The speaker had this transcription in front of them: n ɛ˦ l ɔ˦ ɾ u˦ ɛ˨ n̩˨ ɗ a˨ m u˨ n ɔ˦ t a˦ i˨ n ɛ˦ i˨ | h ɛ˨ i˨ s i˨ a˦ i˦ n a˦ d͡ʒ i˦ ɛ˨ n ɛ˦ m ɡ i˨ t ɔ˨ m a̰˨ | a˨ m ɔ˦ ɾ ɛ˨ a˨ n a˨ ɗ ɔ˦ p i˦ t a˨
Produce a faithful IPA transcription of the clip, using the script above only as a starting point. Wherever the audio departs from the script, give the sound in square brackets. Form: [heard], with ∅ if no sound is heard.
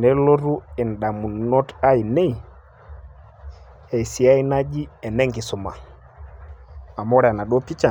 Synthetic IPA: n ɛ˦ l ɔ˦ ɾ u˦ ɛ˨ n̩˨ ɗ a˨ m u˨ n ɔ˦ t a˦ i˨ n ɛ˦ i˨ | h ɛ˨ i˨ s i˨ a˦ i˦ n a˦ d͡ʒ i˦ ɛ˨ n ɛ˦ [ŋ] ɡ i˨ [s] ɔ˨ m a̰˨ | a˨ m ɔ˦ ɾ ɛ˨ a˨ n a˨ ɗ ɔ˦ p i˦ [t͡ʃ] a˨